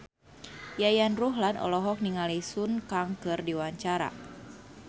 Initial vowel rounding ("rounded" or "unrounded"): unrounded